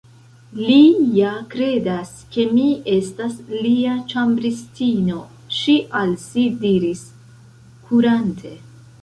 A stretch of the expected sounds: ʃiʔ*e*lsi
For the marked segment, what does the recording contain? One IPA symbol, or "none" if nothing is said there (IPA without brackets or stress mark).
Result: a